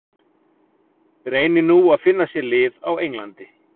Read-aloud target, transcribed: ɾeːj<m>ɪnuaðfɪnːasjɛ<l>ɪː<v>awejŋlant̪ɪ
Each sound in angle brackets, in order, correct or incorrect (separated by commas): incorrect, correct, incorrect